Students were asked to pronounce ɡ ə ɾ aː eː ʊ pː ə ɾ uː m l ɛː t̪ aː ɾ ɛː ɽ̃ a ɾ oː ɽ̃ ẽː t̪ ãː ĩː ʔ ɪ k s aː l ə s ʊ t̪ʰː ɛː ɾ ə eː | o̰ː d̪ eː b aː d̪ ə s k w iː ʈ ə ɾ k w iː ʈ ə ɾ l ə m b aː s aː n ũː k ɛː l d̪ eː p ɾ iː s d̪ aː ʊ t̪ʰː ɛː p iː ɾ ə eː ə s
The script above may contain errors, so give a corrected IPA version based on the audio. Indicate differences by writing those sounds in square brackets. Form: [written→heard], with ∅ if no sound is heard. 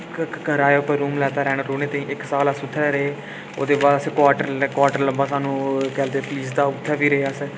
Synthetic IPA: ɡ ə ɾ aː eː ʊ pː ə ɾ uː m l ɛː t̪ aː ɾ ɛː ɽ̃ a ɾ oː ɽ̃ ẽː t̪ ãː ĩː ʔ ɪ k s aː l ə s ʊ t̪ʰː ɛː ɾ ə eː | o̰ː d̪ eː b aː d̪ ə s k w [iː→aː] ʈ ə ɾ k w [iː→aː] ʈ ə ɾ l ə m b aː s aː n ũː k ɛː l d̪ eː p [ɾ→l] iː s d̪ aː ʊ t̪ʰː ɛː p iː ɾ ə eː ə s